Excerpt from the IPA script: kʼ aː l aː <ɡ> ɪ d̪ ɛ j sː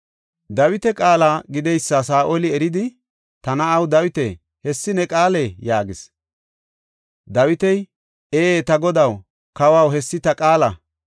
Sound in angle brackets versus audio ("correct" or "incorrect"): correct